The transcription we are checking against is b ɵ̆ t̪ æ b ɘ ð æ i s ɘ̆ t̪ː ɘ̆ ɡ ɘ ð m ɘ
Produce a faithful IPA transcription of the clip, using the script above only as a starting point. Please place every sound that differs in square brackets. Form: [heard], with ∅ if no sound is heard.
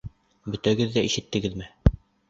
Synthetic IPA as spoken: b ɵ̆ t̪ æ [ɡ] ɘ [ðː] æ i [ʃ] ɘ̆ t̪ː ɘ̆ ɡ ɘ ð m ɘ